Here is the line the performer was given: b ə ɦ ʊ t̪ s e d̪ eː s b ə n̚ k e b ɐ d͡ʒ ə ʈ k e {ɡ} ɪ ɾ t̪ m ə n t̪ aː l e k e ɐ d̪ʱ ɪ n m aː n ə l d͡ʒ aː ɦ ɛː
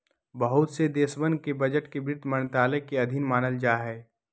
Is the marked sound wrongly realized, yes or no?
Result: yes